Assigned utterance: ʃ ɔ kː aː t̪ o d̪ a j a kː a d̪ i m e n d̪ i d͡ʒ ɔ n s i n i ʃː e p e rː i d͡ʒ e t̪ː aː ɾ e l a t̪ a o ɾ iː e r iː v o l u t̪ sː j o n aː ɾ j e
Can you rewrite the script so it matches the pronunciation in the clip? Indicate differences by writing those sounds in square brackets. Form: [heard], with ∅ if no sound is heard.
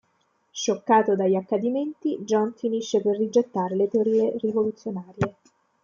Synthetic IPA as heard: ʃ [o] kː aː t̪ o d̪ a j a kː a d̪ i m e n [t̪] i d͡ʒ ɔ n [f] i n i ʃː e p e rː i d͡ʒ e t̪ː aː ɾ e l [e] t̪ [e] o ɾ iː e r [i] v o l u t̪ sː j o n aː ɾ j e